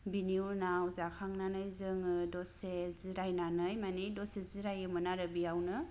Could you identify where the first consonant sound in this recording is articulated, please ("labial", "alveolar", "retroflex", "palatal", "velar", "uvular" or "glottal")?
labial